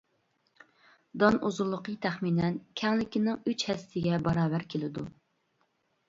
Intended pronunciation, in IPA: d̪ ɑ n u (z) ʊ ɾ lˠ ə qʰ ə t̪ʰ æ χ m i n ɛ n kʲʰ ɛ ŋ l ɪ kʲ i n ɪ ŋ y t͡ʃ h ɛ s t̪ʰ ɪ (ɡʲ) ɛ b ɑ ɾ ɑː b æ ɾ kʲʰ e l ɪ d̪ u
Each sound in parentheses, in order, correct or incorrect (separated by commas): correct, correct